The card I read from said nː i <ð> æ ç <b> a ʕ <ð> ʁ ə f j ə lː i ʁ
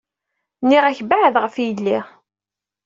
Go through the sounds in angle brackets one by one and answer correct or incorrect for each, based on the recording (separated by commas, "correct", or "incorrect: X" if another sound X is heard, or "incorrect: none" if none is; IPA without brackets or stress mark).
incorrect: ʁ, correct, correct